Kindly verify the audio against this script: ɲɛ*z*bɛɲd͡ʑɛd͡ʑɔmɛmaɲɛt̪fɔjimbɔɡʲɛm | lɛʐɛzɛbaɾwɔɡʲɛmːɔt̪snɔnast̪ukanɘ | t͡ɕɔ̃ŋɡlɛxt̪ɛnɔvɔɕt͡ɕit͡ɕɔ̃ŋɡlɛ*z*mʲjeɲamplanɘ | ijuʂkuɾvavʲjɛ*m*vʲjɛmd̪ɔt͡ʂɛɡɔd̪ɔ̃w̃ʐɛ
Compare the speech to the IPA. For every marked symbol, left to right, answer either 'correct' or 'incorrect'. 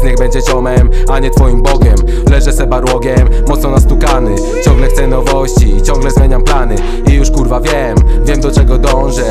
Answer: incorrect: ɣ, correct, correct

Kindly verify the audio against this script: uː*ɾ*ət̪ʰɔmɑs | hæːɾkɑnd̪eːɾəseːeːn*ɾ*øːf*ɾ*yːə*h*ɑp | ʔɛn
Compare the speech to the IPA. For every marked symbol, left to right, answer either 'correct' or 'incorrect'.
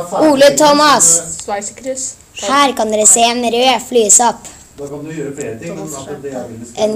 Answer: incorrect: l, correct, incorrect: l, incorrect: s

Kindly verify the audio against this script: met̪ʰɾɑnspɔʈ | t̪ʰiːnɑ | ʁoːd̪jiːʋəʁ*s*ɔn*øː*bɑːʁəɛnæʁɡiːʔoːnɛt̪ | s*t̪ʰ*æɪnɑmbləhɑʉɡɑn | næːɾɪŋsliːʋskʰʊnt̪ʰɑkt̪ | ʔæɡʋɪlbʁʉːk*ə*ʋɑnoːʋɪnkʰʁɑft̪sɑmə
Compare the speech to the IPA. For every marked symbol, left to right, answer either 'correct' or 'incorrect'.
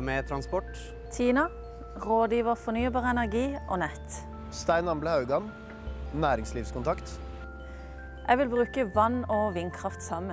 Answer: incorrect: f, incorrect: yː, incorrect: t̪, correct

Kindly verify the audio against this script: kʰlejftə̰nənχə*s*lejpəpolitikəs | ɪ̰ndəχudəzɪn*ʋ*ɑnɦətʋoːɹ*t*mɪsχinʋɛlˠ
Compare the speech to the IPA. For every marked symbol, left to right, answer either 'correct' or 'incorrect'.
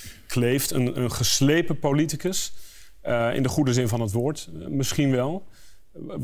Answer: correct, incorrect: v, correct

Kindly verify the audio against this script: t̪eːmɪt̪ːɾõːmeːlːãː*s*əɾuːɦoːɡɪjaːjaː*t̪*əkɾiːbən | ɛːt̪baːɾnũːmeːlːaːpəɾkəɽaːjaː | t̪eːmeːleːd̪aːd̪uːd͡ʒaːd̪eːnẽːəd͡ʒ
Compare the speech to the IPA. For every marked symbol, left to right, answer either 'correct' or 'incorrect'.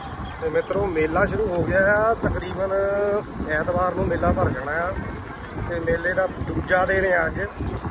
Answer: incorrect: ʃ, correct

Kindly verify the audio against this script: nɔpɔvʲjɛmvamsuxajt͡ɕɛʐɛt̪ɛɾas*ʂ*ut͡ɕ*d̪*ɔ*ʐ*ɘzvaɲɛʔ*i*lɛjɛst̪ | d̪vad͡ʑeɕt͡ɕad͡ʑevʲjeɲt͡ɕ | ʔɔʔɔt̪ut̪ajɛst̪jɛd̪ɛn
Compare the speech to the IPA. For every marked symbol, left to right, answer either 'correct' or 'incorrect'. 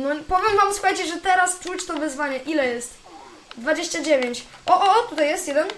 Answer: incorrect: t͡ʂ, incorrect: t̪, incorrect: v, correct

